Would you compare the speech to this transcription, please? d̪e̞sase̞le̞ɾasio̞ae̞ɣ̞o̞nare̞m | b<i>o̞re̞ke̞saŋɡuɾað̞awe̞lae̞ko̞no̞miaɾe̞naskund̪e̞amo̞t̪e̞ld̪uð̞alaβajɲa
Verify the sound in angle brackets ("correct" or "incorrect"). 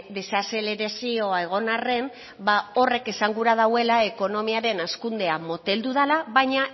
incorrect